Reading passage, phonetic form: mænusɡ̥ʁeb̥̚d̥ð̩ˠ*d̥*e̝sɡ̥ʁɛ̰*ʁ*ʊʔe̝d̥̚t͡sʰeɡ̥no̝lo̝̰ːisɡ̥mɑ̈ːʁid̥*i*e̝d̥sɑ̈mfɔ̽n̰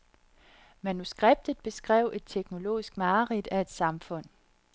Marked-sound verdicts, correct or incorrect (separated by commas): incorrect, incorrect, incorrect